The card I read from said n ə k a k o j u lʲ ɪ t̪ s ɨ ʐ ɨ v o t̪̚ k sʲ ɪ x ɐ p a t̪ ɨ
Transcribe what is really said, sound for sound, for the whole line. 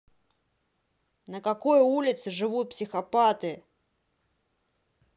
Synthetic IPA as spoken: n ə k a k o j u lʲ ɪ t̪ s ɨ ʐ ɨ v u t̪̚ p sʲ ɪ x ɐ p a t̪ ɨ